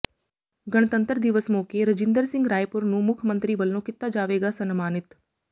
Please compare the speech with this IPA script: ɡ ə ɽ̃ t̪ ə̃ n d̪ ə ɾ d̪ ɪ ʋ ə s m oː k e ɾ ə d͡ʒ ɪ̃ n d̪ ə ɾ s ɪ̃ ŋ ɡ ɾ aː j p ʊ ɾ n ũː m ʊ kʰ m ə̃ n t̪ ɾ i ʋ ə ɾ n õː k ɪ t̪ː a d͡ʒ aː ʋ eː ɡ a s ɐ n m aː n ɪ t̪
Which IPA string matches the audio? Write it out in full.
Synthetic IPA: ɡ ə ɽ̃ t̪ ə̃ n t̪ ə ɾ d̪ ɪ ʋ ə s m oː k e ɾ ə d͡ʒ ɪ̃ n d̪ ə ɾ s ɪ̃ ŋ ɡ ɾ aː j p ʊ ɾ n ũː m ʊ kʰ m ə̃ n t̪ ɾ i ʋ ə l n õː k ɪ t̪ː a d͡ʒ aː ʋ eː ɡ a s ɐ n m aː n ɪ t̪